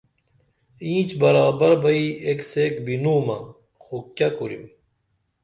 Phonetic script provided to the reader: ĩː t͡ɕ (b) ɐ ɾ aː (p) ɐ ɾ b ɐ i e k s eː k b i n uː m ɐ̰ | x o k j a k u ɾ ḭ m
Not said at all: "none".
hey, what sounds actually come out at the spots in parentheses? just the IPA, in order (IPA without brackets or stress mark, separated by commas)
b, b